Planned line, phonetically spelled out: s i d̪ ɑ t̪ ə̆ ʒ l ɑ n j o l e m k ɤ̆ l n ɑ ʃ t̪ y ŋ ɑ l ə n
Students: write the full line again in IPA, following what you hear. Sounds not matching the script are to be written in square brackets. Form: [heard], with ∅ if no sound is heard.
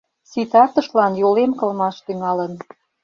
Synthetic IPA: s i [t̪] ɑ t̪ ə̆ [ʃ] l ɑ n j o l e m k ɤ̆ l [m] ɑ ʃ t̪ y ŋ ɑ l ə n